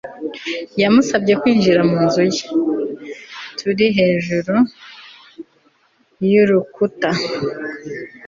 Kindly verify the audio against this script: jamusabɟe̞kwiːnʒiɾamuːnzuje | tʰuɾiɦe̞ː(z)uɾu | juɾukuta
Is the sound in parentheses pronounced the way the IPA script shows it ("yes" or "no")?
no